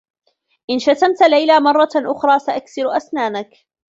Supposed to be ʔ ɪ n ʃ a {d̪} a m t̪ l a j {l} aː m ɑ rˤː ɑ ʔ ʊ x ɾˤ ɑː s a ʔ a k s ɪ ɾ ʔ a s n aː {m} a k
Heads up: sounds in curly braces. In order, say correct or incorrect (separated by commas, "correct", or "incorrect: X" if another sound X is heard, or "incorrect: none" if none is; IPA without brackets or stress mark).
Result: incorrect: t̪, correct, incorrect: n